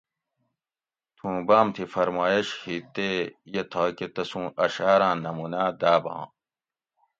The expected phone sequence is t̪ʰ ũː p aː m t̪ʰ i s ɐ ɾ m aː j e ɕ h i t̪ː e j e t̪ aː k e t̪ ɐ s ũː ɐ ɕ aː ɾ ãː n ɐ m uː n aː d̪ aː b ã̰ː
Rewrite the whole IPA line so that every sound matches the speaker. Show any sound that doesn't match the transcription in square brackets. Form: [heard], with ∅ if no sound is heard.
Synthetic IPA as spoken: t̪ʰ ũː [b] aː m t̪ʰ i [f] ɐ ɾ m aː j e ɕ h i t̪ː e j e [t̪ʰ] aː k e t̪ ɐ s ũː ɐ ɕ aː ɾ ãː n ɐ m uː n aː d̪ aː b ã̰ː